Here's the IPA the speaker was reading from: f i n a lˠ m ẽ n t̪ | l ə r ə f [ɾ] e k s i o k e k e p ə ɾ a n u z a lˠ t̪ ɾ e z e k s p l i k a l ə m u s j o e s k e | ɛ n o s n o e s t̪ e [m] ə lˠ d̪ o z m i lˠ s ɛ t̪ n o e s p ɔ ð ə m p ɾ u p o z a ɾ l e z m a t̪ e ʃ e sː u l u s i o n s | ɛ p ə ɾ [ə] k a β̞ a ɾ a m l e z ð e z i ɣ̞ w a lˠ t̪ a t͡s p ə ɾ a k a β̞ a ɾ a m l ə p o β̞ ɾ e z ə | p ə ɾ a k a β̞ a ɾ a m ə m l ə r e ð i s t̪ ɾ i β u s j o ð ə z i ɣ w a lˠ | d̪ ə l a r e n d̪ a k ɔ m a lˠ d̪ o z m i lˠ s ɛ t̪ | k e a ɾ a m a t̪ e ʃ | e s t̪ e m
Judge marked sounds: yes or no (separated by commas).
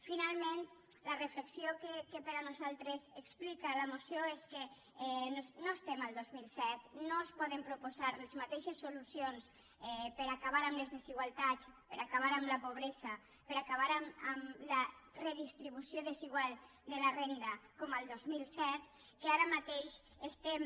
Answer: no, yes, no